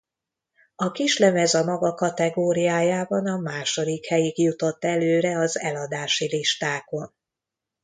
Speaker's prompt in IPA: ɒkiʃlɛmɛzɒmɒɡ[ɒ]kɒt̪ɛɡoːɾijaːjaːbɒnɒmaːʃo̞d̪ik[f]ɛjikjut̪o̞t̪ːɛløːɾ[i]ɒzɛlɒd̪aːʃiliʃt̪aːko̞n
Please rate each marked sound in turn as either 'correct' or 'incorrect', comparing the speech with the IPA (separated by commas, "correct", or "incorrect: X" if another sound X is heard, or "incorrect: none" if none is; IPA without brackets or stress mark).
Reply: correct, incorrect: h, incorrect: ɛ